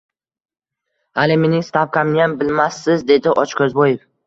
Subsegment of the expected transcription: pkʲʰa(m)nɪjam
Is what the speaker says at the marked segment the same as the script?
yes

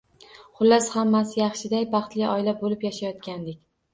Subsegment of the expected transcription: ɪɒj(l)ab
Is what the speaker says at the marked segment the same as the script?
yes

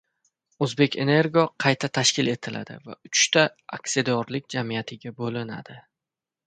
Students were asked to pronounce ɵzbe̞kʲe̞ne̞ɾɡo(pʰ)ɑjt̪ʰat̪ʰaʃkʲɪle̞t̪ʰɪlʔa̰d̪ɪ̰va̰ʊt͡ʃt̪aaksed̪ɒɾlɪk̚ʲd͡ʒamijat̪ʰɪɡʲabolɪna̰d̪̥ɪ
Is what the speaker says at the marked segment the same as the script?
no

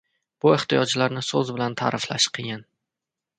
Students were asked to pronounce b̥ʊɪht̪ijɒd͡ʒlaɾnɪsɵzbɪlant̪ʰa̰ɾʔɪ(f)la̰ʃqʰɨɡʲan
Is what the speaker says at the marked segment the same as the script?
yes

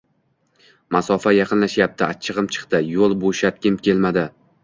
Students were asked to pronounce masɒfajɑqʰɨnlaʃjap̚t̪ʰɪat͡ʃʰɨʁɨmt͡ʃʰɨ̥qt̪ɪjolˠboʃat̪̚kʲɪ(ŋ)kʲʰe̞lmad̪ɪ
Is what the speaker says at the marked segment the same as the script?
no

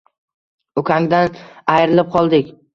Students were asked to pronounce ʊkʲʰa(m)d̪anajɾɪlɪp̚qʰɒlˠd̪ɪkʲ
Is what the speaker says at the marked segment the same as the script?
no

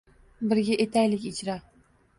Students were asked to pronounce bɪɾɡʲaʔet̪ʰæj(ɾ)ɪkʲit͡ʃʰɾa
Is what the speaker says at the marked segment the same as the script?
no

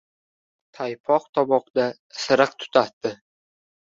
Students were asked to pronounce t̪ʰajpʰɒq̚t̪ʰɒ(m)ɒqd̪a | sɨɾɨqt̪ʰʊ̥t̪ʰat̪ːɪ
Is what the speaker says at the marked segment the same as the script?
no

